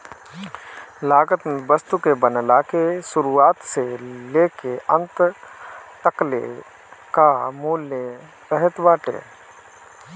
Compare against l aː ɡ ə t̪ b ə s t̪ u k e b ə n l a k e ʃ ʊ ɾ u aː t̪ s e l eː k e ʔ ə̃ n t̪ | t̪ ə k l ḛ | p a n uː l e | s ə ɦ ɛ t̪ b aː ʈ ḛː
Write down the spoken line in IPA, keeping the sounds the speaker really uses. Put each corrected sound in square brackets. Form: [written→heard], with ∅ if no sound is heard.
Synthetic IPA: l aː ɡ ə t̪ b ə s t̪ u k e b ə n l a k e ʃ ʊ ɾ u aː t̪ s e l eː k e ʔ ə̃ n t̪ | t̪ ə k l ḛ | [p→k] a [n→m] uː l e | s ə ɦ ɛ t̪ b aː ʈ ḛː